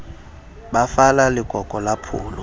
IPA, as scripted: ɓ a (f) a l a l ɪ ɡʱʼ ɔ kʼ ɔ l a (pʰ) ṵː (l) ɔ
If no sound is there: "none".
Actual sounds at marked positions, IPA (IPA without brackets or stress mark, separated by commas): f, pʰ, l